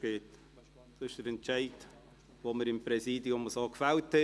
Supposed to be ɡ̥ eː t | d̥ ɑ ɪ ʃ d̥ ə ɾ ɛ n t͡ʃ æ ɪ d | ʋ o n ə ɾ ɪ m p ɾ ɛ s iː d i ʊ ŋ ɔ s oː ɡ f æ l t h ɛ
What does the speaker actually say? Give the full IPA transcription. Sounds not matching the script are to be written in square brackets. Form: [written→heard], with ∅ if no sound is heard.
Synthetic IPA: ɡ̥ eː t | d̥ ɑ ɪ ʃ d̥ ə ɾ ɛ n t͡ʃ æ ɪ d | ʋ o [n→m] ə ɾ ɪ m p ɾ ɛ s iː d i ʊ [ŋ→m] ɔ s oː [ɡ→k] f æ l t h ɛ